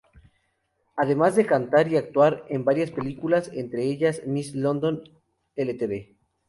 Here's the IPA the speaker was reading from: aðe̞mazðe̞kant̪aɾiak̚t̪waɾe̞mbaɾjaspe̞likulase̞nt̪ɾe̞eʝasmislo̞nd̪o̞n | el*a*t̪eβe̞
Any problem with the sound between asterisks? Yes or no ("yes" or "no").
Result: yes